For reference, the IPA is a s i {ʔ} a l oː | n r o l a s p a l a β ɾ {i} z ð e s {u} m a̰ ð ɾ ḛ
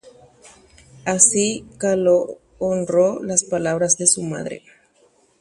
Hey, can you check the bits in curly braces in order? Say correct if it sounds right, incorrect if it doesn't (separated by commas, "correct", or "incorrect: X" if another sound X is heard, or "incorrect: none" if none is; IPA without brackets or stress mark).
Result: incorrect: k, incorrect: a, correct